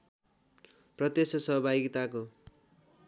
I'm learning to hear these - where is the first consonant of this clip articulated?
lips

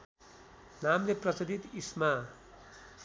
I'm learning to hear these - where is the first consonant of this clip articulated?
tongue tip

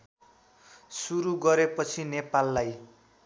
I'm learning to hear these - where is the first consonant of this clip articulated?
tongue tip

